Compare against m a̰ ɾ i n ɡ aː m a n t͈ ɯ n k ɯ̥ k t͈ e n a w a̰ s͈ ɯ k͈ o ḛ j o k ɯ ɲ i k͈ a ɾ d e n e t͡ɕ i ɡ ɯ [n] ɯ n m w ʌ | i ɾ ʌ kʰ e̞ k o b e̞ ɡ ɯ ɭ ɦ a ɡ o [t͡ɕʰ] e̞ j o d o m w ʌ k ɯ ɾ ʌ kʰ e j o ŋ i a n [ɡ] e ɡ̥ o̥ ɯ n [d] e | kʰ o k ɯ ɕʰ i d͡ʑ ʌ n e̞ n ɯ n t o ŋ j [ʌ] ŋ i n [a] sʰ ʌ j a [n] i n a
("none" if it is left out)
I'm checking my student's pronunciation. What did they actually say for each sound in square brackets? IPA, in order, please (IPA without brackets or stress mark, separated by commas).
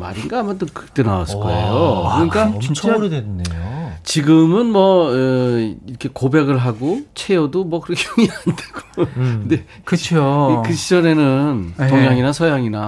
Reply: m, t͡ɕʰ, d, d, a, a, ŋ